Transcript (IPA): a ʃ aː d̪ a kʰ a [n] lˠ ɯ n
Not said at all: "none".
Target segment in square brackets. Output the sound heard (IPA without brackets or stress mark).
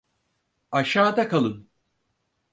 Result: none